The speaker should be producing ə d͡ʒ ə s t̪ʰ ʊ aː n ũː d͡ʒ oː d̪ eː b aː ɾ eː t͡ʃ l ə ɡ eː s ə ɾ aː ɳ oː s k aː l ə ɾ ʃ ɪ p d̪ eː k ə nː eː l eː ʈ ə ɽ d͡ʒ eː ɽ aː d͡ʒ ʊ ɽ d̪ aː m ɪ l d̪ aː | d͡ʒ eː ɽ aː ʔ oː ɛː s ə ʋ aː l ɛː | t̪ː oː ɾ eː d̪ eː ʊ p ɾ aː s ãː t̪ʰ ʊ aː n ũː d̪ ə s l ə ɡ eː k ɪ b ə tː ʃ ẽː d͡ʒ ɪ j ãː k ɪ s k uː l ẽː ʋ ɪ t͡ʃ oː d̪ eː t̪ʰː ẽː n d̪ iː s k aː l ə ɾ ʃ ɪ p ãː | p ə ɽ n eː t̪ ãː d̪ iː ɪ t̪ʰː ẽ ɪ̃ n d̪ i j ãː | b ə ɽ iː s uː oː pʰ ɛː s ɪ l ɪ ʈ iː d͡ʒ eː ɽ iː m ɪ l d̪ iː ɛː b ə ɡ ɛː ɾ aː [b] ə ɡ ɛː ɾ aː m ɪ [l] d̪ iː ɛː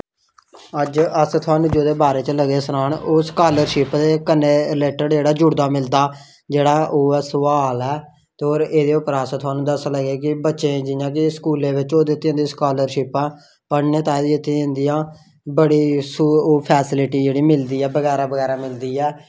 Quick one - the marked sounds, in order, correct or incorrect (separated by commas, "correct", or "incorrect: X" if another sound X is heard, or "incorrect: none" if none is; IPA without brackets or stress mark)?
correct, correct